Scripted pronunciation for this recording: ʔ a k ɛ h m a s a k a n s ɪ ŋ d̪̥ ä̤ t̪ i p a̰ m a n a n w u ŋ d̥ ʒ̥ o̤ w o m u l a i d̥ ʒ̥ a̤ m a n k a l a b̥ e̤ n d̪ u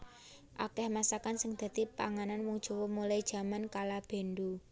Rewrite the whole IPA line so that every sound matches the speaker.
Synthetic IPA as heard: ʔ a k ɛ h m a s a k a n s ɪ ŋ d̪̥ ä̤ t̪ i p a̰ ŋ a n a n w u ŋ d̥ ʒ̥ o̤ w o m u l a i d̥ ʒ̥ a̤ m a n k a l a b̥ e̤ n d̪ u